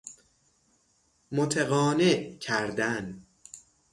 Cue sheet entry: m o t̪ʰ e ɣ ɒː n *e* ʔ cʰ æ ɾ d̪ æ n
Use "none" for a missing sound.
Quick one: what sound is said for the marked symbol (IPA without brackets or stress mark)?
e